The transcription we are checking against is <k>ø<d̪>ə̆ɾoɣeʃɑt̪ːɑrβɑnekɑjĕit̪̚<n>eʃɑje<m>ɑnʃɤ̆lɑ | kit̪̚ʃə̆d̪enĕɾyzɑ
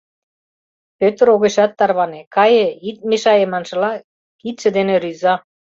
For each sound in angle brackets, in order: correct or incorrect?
incorrect: p, incorrect: t̪, incorrect: m, correct

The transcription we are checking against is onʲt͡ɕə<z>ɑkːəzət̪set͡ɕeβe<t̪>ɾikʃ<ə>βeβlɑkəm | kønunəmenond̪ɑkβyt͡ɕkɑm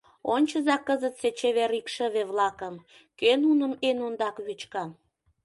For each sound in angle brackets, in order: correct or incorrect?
correct, incorrect: none, correct

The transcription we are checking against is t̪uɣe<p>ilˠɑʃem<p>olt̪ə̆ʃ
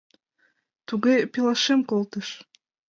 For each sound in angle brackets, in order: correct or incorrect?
correct, incorrect: k

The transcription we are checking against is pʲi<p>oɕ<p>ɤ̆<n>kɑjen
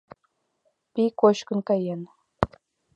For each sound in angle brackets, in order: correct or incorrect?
incorrect: k, incorrect: k, correct

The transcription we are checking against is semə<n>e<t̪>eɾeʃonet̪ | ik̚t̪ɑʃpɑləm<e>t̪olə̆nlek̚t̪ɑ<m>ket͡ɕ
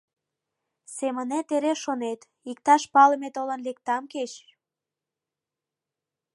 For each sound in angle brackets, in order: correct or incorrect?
correct, correct, correct, correct

